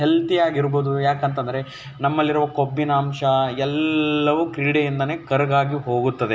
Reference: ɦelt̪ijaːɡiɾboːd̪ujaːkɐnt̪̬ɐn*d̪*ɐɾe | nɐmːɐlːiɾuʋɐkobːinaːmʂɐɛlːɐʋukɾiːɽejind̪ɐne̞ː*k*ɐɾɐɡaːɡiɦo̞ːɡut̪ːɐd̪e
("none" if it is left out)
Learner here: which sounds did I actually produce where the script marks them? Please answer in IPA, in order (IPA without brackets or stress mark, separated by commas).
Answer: d̪, k